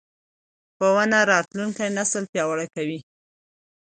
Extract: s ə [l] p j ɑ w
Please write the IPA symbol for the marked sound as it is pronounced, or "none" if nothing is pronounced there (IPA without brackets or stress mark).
l